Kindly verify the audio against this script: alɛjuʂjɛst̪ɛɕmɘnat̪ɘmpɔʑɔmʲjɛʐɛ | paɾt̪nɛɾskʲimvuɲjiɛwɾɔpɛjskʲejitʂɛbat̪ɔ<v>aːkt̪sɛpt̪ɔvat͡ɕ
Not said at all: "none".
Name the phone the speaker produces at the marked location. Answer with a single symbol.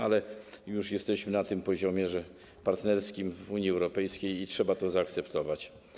z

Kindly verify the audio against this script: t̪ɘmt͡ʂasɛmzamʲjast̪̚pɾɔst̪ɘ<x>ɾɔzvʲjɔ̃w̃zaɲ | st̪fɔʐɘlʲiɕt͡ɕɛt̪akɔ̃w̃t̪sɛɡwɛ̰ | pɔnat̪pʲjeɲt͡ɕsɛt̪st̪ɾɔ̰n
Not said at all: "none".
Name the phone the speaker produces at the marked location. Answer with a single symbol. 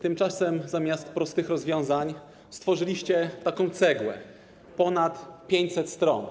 x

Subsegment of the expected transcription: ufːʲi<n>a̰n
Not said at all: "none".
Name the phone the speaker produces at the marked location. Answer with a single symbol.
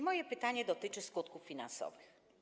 n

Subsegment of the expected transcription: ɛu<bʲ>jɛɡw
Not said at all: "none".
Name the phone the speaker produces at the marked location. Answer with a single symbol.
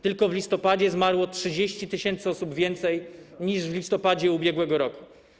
bʲ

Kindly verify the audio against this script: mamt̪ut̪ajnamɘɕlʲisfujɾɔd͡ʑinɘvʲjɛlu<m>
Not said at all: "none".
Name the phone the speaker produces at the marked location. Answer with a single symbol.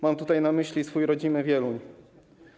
ɲ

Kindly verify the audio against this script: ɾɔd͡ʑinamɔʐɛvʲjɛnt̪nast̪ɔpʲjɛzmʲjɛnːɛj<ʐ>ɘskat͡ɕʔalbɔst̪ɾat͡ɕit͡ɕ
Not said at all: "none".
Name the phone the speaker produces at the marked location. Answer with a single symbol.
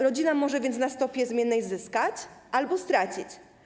z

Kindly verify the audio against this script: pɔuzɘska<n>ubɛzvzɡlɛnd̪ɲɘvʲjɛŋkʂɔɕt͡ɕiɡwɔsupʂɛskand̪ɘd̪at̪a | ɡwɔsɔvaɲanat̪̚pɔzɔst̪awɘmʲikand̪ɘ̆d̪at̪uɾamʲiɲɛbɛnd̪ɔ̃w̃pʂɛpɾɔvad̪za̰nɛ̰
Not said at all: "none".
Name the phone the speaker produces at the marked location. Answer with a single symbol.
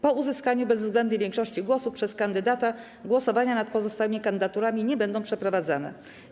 ɲ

